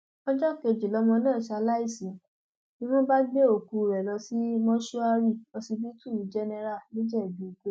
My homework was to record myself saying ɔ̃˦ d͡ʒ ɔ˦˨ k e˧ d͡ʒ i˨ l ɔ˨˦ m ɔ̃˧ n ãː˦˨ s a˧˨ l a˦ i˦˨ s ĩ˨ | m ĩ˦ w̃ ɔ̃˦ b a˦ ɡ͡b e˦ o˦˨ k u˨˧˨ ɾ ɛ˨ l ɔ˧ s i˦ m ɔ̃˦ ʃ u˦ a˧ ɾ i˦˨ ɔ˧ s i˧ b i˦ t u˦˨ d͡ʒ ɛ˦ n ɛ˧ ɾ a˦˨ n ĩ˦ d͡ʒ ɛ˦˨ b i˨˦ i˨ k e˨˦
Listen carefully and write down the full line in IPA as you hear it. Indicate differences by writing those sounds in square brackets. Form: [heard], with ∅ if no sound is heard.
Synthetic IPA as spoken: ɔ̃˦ d͡ʒ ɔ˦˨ k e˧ d͡ʒ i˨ l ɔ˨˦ m ɔ̃˧ n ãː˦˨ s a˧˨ l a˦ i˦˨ s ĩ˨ | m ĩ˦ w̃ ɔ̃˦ b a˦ ɡ͡b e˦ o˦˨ k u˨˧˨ ɾ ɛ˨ l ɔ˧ s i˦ m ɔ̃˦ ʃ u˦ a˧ ɾ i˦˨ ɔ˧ s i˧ b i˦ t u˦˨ d͡ʒ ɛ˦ n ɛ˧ ɾ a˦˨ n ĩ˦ d͡ʒ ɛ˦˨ b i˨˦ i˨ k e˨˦